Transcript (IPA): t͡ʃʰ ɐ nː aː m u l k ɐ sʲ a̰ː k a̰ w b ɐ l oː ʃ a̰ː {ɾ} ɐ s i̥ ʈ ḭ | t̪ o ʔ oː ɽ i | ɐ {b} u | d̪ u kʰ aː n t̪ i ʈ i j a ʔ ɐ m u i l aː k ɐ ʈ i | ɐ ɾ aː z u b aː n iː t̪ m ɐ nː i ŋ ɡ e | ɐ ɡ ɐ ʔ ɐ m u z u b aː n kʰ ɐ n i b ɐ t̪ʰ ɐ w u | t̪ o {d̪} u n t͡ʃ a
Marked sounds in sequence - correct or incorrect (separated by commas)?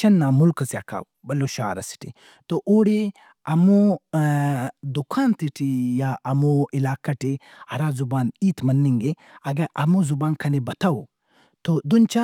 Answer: correct, incorrect, correct